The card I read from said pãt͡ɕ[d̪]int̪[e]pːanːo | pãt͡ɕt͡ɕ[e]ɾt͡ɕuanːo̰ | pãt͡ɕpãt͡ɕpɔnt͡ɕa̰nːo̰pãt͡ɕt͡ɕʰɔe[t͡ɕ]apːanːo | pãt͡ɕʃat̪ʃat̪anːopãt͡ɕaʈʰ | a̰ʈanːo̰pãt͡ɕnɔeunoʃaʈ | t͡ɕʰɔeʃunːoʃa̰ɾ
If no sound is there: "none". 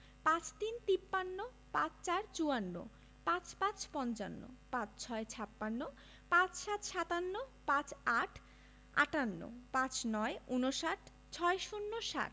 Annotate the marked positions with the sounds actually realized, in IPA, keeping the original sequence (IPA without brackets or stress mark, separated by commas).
t̪, i, a, t͡ɕʰ